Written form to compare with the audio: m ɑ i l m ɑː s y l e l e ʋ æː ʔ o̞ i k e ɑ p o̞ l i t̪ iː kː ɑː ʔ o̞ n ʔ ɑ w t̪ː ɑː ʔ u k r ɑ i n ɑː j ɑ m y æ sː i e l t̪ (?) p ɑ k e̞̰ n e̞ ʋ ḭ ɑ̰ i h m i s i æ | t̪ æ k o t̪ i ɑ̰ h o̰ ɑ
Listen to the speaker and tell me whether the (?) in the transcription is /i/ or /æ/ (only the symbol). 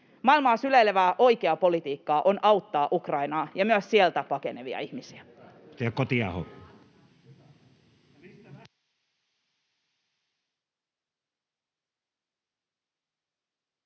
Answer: æ